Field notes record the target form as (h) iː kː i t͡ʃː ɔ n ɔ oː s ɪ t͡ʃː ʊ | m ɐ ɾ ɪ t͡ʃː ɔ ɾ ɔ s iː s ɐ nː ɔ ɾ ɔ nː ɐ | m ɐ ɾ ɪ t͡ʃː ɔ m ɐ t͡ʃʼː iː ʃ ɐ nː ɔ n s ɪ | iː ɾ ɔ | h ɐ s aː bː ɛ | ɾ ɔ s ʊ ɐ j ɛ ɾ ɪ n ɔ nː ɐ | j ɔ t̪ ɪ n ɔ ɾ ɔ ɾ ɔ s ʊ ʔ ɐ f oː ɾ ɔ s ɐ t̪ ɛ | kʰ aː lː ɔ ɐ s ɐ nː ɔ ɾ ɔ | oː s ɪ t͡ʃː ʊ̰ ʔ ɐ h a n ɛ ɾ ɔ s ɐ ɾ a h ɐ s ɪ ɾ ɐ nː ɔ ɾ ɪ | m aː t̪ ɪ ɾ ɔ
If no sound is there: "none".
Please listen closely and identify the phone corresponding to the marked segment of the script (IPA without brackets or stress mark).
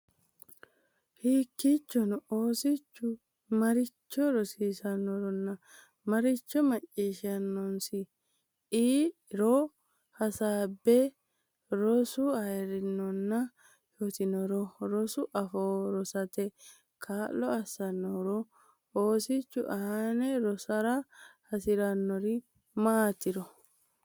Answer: h